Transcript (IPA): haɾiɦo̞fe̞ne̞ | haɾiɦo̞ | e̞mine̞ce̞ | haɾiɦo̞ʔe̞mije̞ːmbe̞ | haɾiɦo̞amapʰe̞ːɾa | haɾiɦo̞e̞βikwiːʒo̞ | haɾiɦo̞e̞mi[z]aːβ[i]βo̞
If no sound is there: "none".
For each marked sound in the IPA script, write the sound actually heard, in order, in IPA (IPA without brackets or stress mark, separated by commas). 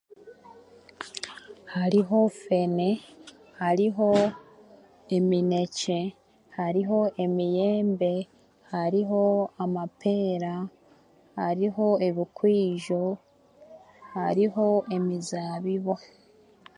z, i